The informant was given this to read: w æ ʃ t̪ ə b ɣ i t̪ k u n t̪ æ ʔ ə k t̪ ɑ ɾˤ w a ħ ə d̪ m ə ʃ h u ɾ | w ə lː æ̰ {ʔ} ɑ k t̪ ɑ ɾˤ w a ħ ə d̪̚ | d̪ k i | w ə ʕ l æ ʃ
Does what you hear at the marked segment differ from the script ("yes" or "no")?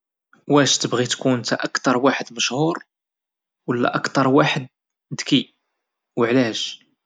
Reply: no